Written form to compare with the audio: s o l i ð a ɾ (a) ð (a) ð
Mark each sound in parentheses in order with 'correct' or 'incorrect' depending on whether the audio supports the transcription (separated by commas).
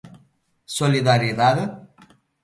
incorrect, correct